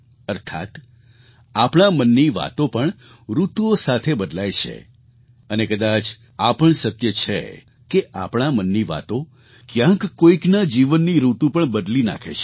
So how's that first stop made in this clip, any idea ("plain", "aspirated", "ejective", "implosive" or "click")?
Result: aspirated